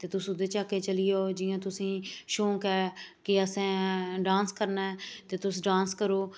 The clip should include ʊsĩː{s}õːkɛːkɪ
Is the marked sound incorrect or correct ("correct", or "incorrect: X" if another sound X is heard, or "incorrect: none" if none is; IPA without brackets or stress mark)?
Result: incorrect: ʃ